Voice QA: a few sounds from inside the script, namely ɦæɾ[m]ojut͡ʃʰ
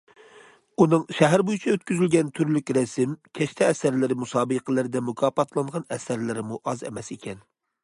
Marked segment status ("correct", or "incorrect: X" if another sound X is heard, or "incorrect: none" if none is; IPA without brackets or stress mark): incorrect: b